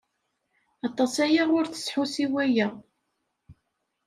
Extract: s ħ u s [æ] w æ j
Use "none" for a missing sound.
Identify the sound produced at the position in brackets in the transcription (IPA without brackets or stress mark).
i